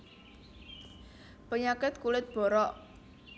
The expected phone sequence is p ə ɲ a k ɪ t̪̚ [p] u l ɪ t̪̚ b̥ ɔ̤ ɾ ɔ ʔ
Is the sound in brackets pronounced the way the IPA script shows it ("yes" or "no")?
no